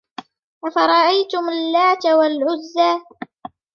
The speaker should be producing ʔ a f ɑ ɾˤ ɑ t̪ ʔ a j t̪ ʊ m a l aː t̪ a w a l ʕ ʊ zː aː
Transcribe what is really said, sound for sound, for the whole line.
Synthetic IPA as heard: ʔ a f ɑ ɾˤ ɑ ʔ a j t̪ ʊ m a lː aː t̪ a w a l ʕ ʊ zː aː